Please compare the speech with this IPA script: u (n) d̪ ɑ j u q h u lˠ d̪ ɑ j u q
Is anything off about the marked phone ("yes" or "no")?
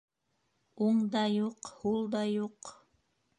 yes